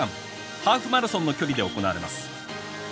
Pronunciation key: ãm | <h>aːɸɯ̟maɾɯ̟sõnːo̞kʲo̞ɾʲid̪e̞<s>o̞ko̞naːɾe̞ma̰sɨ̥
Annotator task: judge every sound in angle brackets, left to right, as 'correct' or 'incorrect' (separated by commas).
correct, incorrect